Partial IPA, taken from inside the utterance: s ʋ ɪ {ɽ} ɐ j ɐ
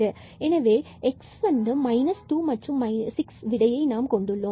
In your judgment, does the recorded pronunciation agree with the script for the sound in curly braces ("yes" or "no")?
yes